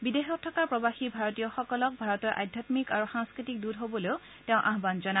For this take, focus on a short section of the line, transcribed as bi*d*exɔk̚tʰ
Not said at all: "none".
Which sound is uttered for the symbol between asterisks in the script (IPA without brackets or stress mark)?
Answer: d